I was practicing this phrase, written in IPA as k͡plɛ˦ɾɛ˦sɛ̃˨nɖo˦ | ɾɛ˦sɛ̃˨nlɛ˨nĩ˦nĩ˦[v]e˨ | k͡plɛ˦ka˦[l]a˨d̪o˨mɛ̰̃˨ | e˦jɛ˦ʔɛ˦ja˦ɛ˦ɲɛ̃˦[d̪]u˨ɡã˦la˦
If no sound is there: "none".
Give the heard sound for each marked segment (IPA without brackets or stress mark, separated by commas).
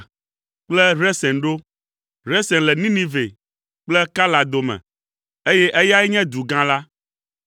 v, l, d̪